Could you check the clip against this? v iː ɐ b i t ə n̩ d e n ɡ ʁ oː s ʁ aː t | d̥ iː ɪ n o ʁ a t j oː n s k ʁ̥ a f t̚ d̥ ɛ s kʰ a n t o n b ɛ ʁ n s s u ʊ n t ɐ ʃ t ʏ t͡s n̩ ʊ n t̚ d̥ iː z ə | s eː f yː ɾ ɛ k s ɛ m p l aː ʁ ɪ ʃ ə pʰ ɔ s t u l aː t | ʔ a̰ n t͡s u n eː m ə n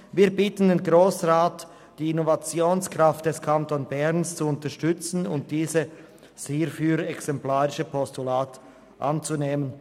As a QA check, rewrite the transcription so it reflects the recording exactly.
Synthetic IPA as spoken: v iː ɐ b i t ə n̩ d e n ɡ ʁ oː s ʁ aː t | d̥ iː ɪ n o v a t͡s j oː n s k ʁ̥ a f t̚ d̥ ɛ s kʰ a n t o n b ɛ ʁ n s t͡s u ʊ n t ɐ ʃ t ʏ t͡s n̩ ʊ n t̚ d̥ iː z ə | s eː f yː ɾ ɛ k s ɛ m p l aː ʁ ɪ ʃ ə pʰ ɔ s t u l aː t | ʔ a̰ n t͡s u n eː m ə n